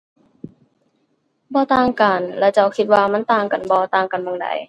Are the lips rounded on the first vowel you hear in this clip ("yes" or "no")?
yes